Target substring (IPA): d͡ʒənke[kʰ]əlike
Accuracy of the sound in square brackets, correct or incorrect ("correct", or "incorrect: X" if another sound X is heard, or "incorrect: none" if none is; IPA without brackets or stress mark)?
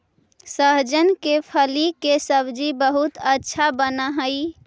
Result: incorrect: pʰ